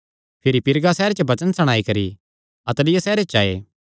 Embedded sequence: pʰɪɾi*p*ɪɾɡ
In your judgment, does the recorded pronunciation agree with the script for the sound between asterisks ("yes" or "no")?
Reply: yes